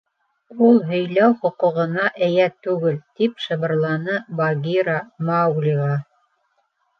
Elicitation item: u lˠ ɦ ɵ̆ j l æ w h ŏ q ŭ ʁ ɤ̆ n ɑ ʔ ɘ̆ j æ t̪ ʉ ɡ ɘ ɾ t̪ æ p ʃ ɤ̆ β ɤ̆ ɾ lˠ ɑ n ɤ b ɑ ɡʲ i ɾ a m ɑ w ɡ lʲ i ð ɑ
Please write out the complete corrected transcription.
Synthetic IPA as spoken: u lˠ ɦ ɵ̆ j l æ w χ ŏ q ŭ ʁ ɤ̆ n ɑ ʔ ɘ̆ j æ t̪ ʉ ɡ ɘ l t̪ i p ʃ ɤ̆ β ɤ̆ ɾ lˠ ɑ n ɤ b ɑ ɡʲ i ɾ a m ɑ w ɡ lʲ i ʁ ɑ